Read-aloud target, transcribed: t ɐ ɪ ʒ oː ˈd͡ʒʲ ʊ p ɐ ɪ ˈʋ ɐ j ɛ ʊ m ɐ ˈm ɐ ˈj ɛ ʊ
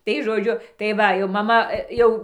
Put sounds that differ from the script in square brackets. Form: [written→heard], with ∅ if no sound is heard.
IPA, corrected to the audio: t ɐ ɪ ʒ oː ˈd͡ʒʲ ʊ [p→t] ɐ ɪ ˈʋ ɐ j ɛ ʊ m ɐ ˈm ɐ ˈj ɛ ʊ